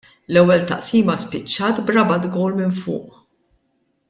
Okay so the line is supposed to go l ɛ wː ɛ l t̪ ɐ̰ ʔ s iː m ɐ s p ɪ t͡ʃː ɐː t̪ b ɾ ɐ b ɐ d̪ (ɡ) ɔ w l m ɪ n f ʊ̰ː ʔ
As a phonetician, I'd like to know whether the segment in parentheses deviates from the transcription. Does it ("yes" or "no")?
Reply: no